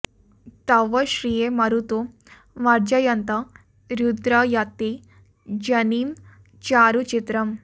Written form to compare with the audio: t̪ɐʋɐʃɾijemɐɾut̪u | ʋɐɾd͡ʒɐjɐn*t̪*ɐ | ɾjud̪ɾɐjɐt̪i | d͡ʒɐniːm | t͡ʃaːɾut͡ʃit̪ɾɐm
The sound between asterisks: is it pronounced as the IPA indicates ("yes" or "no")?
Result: yes